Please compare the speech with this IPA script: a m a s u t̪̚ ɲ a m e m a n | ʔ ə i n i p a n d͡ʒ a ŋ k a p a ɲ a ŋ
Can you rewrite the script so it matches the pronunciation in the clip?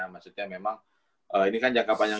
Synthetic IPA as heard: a m a s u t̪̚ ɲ a m e m a ŋ | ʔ ə i n i k a n d͡ʒ a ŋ k a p a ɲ a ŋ